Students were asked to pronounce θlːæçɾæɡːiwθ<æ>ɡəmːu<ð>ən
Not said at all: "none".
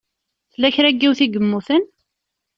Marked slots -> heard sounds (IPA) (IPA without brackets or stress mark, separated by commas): i, θ